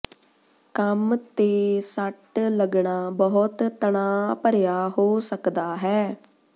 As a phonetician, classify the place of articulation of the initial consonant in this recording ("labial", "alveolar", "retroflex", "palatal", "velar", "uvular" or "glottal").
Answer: velar